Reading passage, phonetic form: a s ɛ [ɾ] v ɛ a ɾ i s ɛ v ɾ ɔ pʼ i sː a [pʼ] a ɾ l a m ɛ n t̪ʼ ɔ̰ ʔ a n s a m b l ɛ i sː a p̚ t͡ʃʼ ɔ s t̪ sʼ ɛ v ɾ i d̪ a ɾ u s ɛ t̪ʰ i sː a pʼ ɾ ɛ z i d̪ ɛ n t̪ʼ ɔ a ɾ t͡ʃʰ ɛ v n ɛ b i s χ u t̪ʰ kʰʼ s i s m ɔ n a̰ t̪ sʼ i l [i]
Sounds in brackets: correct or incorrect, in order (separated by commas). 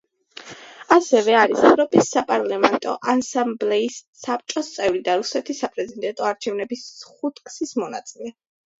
incorrect, correct, incorrect